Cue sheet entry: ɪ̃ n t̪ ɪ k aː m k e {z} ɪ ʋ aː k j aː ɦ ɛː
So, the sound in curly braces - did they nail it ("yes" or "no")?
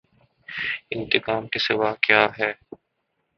no